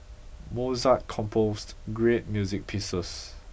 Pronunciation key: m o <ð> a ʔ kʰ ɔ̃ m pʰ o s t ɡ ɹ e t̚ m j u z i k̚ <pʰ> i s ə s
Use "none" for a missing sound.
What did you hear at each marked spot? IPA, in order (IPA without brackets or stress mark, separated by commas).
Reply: z, pʰ